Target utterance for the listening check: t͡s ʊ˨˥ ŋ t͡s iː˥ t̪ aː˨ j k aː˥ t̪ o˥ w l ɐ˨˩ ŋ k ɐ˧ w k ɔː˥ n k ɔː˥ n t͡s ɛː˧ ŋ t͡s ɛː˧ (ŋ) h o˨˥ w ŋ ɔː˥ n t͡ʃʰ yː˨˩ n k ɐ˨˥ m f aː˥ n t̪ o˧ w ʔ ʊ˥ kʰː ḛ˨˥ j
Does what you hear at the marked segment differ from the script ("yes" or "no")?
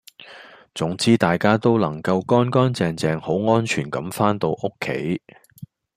no